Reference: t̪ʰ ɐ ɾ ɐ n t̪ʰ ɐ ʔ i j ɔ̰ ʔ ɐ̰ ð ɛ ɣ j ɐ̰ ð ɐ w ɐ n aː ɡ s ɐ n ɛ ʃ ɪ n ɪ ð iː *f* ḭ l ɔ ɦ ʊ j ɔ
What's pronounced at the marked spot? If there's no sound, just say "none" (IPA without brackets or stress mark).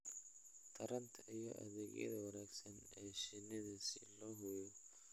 s